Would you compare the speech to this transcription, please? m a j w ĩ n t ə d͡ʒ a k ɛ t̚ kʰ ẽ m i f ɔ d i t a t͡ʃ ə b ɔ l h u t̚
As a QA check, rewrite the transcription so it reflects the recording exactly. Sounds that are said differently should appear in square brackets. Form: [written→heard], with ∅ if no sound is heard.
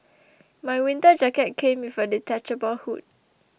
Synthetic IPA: m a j w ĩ n t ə d͡ʒ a k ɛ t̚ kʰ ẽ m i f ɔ d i t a t͡ʃ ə b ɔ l h u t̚